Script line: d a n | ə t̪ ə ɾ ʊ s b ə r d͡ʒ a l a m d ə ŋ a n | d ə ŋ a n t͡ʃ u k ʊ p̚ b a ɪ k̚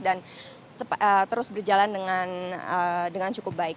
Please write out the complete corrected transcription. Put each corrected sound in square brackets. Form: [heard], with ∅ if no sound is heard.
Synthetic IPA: d a n | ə t̪ ə ɾ ʊ s b ə r d͡ʒ a l a [n] d ə ŋ a n | d ə ŋ a n t͡ʃ u k ʊ p̚ b a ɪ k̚